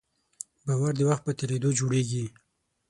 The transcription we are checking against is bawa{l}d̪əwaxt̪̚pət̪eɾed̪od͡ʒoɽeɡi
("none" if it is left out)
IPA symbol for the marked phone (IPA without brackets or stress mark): ɾ